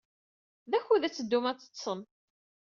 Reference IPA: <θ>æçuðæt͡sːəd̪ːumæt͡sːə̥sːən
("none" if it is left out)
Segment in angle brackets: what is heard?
ð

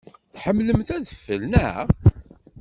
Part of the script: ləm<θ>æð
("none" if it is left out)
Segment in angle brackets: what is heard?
θ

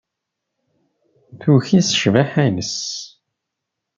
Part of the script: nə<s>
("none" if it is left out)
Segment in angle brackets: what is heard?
s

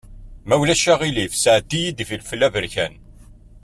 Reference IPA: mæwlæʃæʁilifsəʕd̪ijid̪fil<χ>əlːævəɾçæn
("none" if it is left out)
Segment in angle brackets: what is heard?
f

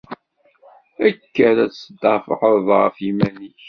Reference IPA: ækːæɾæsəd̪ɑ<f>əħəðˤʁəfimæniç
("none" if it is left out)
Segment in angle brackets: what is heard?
f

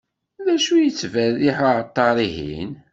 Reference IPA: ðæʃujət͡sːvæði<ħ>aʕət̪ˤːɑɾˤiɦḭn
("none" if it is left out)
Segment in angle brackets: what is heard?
ħ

